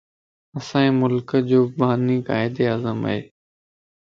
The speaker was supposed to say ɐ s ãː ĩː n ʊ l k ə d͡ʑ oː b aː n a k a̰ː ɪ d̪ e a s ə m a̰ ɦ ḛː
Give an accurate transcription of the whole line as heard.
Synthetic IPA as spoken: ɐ s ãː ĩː m ʊ l k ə d͡ʑ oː b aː n i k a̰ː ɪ d̪ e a z ə m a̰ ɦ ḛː